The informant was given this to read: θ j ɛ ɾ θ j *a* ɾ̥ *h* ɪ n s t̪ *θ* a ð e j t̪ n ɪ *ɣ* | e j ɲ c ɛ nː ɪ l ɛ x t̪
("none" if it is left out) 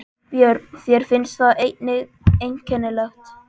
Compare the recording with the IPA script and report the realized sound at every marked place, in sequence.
ɛ, f, θ, ɣ

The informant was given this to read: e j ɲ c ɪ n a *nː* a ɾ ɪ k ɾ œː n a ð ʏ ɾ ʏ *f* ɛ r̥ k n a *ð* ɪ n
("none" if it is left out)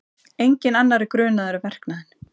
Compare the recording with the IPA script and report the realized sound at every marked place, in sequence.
nː, v, ð

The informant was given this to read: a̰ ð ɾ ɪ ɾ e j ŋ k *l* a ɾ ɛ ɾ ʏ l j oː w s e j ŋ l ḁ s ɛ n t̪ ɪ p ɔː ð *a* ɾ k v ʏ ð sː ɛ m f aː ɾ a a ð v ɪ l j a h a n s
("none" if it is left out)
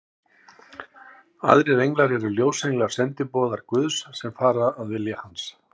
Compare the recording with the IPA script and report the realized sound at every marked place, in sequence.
l, a

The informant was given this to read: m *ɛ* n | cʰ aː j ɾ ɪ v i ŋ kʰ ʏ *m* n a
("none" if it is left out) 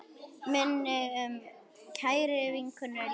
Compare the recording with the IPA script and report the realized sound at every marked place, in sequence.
ɛ, none

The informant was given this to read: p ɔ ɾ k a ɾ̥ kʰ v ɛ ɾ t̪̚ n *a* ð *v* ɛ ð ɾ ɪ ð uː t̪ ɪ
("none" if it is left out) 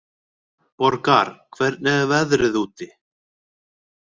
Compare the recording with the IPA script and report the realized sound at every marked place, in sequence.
ɛ, v

